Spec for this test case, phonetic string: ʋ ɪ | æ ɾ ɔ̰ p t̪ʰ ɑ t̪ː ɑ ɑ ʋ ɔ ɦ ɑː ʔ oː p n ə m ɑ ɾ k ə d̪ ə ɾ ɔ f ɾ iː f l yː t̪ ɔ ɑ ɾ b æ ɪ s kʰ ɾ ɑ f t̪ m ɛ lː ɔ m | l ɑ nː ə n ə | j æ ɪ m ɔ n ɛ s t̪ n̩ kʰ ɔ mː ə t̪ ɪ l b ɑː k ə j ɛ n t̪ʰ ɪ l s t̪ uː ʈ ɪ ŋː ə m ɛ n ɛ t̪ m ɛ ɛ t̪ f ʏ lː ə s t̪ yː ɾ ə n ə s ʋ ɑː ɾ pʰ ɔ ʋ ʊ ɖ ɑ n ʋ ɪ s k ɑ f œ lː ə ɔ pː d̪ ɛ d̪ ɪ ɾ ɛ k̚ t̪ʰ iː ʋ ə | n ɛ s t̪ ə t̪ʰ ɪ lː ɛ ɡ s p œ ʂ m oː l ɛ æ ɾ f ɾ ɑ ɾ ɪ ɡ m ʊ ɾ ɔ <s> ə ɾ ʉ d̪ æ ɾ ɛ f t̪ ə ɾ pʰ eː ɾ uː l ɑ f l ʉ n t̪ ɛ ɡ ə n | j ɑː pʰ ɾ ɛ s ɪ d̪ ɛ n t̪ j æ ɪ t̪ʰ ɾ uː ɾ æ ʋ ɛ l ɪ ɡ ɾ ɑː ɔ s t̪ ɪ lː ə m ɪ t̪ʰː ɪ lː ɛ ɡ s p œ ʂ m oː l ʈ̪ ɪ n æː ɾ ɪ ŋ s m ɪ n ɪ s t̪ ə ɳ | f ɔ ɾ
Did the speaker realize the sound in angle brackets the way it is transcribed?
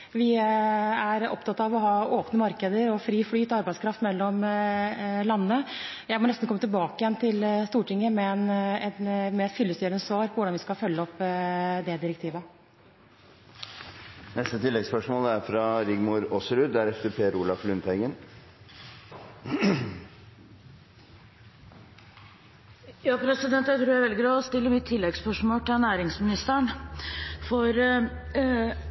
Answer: yes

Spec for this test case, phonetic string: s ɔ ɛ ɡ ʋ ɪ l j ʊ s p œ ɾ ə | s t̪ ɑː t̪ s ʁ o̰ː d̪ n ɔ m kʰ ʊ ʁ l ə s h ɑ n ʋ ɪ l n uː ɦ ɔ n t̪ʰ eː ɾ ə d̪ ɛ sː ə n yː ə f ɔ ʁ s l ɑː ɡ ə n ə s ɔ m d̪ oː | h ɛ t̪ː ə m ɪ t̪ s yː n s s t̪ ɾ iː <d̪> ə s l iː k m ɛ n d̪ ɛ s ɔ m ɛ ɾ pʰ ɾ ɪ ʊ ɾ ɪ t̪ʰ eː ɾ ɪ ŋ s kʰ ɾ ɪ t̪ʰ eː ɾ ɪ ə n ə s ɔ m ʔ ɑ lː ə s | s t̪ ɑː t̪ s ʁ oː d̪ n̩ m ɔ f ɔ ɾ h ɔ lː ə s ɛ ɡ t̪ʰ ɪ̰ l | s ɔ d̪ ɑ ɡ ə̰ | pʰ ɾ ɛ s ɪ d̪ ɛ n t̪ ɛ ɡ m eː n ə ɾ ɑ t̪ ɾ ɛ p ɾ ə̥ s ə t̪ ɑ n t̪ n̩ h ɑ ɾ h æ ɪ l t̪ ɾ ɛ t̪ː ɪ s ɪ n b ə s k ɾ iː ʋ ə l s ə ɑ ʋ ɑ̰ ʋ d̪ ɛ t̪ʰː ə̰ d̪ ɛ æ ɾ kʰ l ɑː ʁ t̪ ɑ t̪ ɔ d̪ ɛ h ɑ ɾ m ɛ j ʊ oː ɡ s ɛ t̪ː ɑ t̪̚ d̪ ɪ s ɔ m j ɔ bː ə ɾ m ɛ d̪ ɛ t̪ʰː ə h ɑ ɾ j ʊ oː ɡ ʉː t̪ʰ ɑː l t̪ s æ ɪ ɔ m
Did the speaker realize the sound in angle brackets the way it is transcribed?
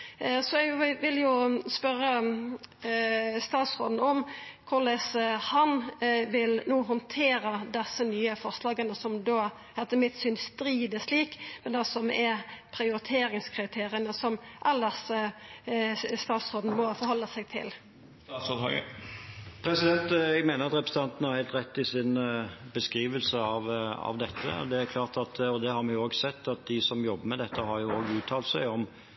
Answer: yes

